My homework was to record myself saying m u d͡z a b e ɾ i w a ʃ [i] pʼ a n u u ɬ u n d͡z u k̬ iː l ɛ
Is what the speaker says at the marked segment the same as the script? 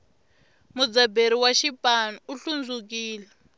yes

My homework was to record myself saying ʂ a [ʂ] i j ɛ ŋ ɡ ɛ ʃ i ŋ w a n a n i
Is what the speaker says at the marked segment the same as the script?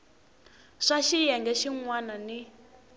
no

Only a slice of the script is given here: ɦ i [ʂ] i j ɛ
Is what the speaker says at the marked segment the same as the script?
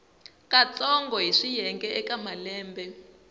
yes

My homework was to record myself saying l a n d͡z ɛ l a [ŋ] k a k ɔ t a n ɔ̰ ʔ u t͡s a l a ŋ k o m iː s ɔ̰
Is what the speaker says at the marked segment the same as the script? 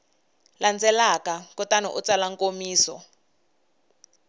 no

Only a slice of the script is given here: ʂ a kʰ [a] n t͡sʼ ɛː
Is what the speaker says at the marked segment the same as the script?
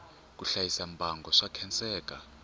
no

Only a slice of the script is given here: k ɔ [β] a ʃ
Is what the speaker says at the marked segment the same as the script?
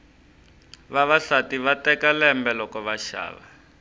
yes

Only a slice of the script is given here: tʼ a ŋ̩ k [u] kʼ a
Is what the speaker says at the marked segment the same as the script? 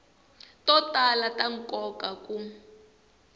no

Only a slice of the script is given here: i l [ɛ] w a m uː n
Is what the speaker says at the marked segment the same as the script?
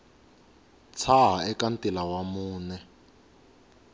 no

